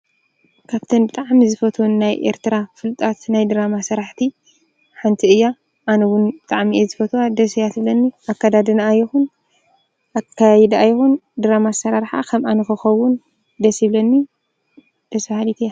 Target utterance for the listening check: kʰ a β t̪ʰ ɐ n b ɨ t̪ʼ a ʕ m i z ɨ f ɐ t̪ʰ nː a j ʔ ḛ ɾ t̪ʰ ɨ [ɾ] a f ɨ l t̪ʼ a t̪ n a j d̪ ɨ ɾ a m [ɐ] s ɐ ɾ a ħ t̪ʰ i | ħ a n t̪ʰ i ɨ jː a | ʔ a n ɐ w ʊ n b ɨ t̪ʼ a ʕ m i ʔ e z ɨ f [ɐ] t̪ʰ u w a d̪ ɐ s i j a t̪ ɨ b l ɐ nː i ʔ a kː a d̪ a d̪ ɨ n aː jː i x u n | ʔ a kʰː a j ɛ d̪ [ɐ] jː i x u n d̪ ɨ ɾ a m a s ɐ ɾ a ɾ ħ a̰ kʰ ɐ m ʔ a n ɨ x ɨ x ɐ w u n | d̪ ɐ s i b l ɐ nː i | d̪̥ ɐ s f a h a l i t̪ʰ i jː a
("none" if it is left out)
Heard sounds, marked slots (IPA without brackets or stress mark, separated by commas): ɾ, a, ɐ, a